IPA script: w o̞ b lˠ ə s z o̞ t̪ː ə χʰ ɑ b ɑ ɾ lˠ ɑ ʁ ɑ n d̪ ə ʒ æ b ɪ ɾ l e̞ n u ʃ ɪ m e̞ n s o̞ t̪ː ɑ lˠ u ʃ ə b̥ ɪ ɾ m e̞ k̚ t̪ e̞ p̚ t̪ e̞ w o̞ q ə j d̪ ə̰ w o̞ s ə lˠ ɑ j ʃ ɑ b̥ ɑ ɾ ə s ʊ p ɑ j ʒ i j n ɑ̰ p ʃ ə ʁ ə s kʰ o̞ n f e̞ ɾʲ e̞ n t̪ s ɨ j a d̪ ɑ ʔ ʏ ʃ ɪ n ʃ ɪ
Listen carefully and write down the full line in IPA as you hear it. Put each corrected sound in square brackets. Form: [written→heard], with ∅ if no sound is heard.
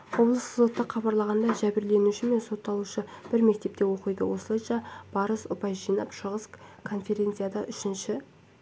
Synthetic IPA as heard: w o̞ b lˠ ə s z o̞ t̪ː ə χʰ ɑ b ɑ ɾ lˠ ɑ ʁ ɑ n d̪ [ə→ɑ] ʒ æ b ɪ ɾ l e̞ n u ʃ ɪ m e̞ n s o̞ t̪ː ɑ lˠ u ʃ ə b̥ ɪ ɾ m e̞ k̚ t̪ e̞ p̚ t̪ e̞ w o̞ q ə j d̪ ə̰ w o̞ s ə lˠ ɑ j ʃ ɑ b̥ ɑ ɾ ə s ʊ p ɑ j ʒ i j n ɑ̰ p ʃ ə ʁ ə s kʰ o̞ n f e̞ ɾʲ e̞ n t̪ s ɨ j a d̪ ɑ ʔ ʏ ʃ ɪ n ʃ ɪ